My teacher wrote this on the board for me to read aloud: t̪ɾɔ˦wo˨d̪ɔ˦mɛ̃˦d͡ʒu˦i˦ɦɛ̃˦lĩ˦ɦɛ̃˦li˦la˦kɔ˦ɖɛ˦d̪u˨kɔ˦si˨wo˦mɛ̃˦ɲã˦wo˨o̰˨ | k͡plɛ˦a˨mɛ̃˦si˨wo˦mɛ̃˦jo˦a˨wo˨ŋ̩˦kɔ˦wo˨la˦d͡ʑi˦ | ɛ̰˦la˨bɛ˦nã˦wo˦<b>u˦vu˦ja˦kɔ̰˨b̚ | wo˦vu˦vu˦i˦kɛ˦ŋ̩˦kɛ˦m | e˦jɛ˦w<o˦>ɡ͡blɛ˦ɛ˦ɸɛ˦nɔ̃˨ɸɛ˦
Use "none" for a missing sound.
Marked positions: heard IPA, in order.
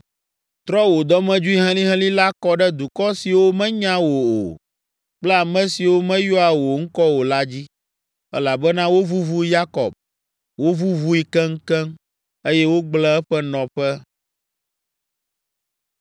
v, o˦

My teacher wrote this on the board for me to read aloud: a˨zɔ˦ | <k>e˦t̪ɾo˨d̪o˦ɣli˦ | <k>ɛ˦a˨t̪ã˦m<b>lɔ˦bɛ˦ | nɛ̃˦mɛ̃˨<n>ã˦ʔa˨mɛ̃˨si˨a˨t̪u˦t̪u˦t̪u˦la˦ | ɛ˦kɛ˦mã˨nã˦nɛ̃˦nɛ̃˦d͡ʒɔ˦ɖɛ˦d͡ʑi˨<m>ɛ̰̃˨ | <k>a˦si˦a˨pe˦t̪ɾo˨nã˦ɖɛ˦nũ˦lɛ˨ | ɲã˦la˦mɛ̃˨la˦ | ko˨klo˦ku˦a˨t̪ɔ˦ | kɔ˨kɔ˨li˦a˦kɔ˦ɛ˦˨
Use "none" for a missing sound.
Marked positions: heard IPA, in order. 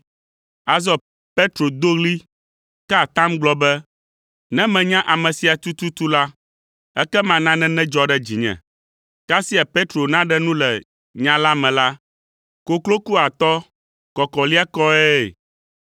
p, k, ɡ͡b, ɲ, ɲ, k

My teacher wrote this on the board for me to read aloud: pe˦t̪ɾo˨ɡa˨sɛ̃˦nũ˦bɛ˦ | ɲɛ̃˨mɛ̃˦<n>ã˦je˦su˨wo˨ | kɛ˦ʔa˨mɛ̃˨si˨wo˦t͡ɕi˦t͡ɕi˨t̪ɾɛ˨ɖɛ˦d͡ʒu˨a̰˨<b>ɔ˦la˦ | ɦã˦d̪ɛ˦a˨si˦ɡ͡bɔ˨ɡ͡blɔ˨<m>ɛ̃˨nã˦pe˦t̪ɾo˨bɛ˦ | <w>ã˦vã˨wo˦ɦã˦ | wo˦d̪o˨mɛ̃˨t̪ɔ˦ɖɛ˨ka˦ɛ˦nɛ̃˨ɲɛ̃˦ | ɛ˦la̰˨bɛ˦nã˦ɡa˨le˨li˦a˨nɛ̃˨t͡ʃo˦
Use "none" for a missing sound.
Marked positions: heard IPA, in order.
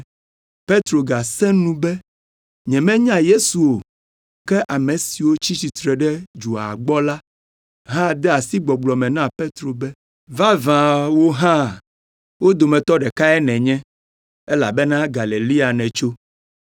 ɲ, ɡ͡b, m, v

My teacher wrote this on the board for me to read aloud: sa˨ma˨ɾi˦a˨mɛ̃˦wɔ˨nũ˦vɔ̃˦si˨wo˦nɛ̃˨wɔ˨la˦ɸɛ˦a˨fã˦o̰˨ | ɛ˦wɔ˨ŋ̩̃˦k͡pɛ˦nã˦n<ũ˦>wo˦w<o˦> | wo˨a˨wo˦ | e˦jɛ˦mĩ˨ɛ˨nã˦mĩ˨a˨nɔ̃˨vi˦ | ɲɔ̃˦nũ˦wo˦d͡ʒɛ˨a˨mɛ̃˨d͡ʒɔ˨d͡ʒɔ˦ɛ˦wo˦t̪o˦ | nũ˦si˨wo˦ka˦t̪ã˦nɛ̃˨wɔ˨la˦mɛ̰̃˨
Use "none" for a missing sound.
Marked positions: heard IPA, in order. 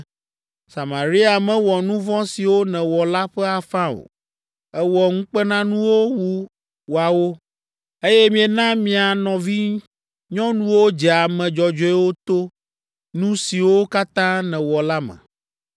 ũ˦, u˦

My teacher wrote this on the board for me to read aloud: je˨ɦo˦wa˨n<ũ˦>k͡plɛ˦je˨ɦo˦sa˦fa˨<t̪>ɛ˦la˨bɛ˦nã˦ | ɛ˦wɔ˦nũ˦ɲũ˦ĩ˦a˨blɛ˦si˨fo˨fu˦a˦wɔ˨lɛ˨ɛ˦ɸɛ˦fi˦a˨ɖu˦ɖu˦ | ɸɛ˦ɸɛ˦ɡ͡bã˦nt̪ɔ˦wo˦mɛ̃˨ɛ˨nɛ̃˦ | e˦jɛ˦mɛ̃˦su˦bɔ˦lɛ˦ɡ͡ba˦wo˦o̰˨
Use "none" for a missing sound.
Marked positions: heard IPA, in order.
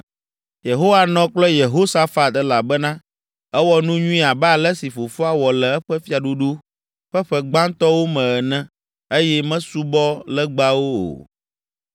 ɔ̃˦, t̪

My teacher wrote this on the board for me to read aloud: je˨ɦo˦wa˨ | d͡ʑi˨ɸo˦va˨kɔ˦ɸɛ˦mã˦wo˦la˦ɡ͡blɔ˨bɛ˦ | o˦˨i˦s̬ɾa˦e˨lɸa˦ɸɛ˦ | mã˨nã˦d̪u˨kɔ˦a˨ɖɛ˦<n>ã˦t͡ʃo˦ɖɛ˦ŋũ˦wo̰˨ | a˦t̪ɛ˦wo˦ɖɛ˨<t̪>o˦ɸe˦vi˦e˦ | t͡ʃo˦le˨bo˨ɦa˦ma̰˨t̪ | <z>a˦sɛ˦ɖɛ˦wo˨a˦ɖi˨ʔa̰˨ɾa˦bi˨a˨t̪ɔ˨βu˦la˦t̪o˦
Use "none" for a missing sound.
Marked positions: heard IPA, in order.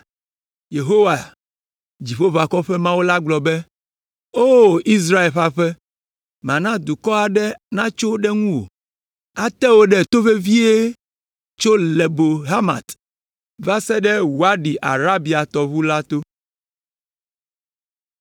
n, t̪, v

